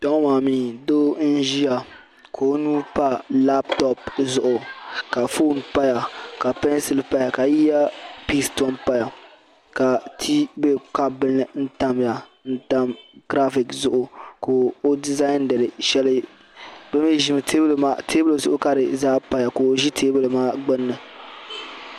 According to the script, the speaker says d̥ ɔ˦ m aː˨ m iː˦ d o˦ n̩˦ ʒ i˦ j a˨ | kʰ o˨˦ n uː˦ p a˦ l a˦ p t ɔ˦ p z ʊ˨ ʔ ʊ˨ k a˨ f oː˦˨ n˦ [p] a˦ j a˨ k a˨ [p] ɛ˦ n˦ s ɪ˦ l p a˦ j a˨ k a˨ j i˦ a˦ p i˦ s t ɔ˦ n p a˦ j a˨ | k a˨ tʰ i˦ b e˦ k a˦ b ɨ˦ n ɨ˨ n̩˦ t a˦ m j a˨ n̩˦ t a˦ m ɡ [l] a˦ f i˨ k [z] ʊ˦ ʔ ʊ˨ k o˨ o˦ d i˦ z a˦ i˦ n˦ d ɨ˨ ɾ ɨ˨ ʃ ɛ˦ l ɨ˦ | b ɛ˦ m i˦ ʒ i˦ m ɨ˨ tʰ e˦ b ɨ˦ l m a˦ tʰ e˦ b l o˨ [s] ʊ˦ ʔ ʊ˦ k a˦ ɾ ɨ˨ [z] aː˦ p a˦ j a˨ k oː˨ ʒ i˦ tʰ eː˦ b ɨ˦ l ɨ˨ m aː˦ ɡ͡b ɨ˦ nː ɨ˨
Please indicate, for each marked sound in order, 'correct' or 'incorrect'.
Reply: correct, correct, incorrect, correct, incorrect, correct

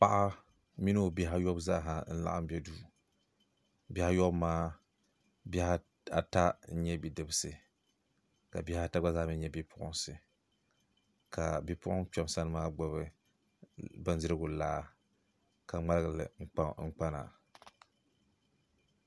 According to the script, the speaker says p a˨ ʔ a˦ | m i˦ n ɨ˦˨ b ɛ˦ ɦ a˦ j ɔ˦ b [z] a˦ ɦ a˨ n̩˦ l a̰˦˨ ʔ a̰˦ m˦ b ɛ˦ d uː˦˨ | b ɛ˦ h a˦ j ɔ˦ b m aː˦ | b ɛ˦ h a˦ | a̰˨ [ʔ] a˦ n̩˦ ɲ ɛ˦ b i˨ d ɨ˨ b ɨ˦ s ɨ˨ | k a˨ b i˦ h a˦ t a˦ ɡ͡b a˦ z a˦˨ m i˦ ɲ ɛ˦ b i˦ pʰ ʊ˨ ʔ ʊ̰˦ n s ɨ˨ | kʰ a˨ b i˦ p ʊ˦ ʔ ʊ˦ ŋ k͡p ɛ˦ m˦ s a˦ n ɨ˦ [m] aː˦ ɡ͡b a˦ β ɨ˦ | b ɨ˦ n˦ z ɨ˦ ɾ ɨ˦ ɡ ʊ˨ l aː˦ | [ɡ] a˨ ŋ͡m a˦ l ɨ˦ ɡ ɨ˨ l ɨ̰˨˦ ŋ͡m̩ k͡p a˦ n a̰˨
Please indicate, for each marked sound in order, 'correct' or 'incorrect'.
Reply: correct, incorrect, correct, incorrect

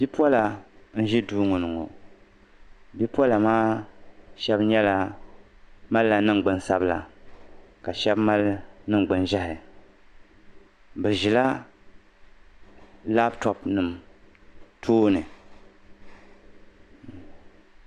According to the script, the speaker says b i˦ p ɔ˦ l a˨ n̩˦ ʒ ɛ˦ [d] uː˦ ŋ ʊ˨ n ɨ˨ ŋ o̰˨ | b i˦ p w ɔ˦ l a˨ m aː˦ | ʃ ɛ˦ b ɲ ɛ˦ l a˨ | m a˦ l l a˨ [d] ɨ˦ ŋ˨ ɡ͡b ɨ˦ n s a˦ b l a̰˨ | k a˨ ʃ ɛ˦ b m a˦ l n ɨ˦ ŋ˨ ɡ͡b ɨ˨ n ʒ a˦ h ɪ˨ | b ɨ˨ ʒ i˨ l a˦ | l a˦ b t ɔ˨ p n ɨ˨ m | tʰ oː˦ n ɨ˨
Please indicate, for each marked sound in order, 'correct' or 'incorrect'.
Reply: correct, incorrect

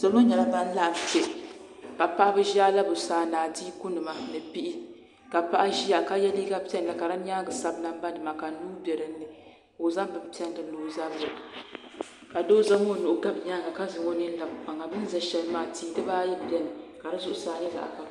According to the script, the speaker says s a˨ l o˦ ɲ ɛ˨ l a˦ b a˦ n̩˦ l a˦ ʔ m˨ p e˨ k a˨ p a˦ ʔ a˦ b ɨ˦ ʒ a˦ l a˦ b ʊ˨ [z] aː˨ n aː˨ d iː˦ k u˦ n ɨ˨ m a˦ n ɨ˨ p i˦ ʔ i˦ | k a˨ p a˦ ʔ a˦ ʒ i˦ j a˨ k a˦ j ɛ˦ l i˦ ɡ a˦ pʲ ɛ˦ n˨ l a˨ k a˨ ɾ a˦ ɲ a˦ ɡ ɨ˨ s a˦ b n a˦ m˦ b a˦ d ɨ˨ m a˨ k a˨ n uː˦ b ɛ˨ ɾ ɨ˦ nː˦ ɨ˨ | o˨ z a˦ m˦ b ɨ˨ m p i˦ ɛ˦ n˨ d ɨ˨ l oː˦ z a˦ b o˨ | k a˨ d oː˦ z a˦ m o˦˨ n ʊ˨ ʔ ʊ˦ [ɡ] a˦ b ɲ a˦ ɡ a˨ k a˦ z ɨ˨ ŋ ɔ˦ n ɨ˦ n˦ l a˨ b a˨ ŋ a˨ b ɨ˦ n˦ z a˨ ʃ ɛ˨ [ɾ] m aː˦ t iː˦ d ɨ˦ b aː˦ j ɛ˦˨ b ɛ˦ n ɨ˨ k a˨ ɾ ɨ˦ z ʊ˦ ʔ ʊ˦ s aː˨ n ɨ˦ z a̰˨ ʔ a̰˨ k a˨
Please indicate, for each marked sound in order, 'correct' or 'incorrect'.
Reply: incorrect, correct, incorrect

